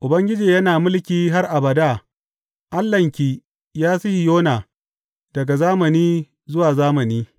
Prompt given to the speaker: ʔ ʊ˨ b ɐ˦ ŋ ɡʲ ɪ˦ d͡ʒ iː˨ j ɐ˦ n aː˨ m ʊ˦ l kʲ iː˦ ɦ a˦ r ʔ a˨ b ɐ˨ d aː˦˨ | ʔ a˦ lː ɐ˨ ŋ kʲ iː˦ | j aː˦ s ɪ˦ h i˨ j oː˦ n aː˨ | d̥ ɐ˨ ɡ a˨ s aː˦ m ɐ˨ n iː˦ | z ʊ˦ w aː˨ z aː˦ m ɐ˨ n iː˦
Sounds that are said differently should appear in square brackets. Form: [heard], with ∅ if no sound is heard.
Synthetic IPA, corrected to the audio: ʔ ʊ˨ b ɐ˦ ŋ ɡʲ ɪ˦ d͡ʒ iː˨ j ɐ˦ n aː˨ m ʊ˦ l kʲ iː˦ ɦ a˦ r ʔ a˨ b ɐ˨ d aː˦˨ | ʔ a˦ lː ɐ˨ ŋ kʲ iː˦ | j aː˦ s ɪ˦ h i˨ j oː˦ n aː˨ | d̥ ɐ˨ ɡ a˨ [z] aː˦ m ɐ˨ n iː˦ | z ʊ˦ w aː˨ z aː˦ m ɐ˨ n iː˦